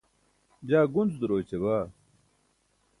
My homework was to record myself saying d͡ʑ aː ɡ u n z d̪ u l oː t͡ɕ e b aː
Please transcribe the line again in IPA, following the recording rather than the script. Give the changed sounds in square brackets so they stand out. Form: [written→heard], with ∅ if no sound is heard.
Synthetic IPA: d͡ʑ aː ɡ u n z d̪ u [l→ɾ] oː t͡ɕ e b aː